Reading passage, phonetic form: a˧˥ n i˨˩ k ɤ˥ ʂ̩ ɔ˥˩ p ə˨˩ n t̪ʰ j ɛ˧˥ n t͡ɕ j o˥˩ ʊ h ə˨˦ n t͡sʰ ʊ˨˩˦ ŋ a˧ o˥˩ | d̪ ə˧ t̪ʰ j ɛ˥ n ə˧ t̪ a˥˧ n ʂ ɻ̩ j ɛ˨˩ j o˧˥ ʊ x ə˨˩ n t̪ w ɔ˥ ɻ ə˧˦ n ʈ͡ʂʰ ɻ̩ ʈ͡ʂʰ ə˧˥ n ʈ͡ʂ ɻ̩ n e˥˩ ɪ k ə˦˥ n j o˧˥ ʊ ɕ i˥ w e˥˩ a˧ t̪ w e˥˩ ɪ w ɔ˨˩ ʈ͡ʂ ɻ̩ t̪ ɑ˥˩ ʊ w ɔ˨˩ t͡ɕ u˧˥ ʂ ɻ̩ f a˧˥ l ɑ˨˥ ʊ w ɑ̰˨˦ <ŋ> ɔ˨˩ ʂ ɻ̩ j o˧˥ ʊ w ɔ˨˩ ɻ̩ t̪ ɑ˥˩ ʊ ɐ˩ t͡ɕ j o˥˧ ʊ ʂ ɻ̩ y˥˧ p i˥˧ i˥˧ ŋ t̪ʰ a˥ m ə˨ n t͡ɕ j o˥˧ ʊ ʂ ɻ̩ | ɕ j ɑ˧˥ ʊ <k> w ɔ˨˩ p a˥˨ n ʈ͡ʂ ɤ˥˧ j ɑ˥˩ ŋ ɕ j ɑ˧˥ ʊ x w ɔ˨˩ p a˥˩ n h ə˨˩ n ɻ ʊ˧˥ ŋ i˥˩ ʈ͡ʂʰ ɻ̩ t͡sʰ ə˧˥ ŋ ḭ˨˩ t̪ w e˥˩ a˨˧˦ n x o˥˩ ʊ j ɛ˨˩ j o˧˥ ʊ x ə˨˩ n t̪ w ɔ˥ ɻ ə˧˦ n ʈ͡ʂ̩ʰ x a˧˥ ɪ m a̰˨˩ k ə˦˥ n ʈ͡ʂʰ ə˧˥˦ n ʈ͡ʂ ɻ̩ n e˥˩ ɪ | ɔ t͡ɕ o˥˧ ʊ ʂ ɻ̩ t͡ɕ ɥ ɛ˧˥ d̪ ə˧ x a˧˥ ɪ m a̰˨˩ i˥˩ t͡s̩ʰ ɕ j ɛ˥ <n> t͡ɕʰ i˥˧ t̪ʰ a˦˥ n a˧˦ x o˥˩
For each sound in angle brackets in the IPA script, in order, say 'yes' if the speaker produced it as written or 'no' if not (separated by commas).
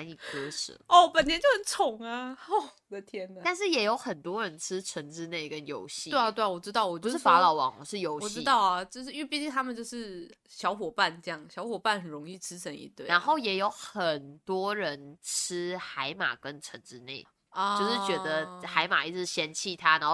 yes, no, yes